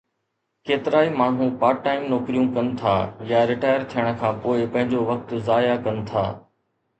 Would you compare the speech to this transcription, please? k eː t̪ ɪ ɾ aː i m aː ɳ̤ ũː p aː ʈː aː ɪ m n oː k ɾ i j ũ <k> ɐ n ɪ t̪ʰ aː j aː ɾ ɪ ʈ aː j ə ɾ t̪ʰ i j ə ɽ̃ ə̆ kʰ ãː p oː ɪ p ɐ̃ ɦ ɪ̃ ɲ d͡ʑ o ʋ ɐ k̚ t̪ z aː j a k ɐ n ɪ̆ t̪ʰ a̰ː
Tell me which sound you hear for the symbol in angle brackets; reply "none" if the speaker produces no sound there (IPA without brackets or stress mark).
k